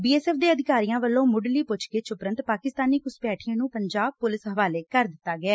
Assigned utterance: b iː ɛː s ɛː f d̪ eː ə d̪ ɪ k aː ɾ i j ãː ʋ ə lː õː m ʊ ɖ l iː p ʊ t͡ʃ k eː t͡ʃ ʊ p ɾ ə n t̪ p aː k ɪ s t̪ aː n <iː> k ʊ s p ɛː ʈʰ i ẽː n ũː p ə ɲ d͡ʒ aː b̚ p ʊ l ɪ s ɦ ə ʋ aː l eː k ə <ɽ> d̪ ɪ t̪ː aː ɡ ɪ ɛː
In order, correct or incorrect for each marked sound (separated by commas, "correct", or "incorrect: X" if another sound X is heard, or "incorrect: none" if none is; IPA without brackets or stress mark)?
correct, incorrect: ɾ